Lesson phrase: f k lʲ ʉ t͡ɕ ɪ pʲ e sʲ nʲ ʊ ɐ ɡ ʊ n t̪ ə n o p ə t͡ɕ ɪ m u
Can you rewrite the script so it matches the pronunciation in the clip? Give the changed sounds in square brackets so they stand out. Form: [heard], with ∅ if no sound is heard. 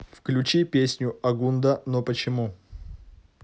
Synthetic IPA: f k lʲ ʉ t͡ɕ [i] pʲ e sʲ nʲ ʊ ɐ ɡ [u] n [d̪] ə n o p ə t͡ɕ ɪ m u